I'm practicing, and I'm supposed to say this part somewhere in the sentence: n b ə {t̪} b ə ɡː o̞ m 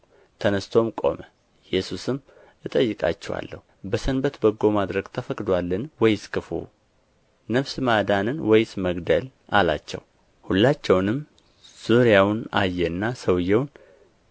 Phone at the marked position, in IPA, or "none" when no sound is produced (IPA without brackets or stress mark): t̪